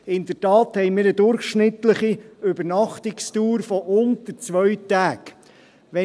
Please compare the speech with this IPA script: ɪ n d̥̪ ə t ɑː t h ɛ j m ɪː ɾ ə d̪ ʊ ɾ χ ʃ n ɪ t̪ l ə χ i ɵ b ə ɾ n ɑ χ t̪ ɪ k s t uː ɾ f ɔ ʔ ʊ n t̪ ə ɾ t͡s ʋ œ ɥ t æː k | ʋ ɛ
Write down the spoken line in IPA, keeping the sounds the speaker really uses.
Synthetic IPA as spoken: ɪ n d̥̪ ə t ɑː t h ɛ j m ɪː ɾ ə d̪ ʊ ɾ χ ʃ n ɪ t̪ l ə χ i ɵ b ə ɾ n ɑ χ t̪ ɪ k s t uː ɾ f ɔ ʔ ʊ n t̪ ə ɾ t͡s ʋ œ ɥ t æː k | ʋ ɛ